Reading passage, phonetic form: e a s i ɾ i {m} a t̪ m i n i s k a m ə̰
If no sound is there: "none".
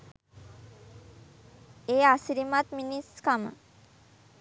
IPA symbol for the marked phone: m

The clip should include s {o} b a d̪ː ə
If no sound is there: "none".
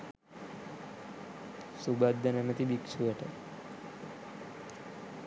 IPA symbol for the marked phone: u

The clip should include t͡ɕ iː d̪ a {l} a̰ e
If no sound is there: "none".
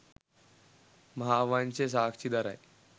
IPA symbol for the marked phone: ɾ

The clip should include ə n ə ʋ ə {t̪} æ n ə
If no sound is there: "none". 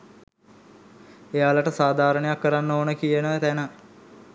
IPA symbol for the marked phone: t̪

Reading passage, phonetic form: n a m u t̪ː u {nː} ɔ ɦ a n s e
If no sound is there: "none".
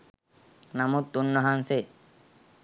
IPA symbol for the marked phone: nː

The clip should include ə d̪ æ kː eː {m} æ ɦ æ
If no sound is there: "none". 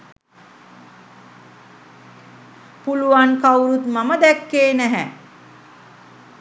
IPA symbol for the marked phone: n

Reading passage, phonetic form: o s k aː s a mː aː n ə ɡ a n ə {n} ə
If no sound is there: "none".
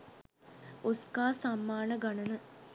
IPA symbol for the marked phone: n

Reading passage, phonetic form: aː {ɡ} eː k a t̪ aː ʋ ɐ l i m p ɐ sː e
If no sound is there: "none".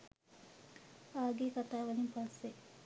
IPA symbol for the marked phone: ɡ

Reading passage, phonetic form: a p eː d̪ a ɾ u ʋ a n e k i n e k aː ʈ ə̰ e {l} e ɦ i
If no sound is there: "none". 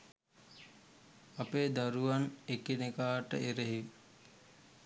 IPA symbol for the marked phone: ɾ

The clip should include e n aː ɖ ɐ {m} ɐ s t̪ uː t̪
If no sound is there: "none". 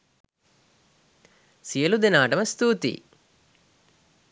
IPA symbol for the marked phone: m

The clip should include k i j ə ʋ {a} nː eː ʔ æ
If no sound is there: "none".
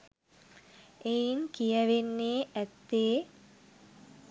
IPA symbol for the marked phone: e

